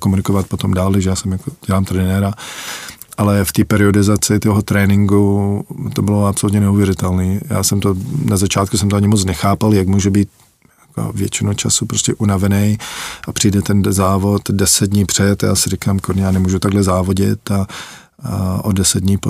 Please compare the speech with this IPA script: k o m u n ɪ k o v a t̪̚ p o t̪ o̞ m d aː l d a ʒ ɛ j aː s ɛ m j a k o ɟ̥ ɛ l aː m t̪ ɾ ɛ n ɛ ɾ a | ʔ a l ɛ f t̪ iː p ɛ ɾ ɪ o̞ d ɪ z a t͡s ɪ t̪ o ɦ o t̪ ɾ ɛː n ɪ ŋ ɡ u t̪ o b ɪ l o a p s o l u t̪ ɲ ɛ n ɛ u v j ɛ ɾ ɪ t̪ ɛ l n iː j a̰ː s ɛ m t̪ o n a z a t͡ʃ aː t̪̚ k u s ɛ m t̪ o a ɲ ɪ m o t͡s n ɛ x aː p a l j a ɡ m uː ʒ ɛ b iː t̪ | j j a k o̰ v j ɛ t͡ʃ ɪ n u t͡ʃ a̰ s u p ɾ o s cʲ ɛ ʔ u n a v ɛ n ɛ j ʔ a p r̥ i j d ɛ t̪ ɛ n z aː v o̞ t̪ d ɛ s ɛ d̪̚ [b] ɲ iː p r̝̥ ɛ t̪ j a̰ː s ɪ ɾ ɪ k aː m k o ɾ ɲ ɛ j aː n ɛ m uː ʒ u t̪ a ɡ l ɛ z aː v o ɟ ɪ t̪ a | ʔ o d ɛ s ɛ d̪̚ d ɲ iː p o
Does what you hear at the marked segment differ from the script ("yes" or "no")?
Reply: yes